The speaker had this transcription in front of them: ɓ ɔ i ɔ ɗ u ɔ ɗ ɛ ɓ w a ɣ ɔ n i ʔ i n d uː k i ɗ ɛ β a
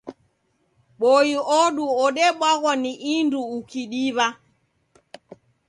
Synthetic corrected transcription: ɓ ɔ i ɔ ɗ u ɔ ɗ ɛ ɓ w a ɣ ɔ n i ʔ i n d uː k i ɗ i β a